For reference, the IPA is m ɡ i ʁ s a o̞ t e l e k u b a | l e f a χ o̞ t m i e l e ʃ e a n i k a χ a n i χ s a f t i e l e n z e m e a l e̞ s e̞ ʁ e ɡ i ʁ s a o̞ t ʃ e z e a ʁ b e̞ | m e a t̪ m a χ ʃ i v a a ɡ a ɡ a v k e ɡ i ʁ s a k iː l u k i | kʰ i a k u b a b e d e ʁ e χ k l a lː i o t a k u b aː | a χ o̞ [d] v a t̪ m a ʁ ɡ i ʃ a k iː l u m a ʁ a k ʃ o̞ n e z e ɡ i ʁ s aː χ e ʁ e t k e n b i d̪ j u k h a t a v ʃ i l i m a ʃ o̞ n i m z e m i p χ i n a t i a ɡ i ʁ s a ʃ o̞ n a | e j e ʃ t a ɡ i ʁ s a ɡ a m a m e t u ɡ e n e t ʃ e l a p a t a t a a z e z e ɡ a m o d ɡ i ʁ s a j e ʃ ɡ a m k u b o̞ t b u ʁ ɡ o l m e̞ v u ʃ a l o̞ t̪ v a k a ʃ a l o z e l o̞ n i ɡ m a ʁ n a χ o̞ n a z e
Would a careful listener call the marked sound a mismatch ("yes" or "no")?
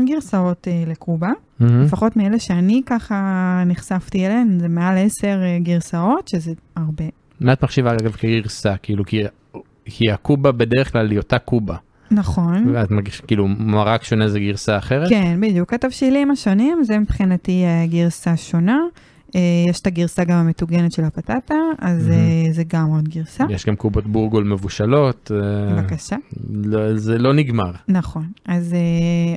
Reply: yes